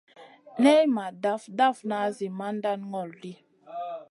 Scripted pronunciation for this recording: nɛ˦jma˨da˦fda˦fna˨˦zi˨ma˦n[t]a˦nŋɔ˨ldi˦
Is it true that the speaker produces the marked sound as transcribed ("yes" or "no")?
no